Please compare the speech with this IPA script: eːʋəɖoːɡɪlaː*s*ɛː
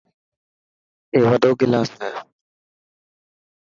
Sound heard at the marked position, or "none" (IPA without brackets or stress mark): s